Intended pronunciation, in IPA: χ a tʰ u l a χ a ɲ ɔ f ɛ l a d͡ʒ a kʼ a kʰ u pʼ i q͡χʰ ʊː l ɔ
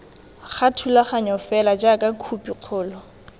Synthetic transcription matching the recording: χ a tʰ u l a χ a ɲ ɔ f ɛ l a d͡ʒ a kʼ a kʰ u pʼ i q͡χʰ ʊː l ɔ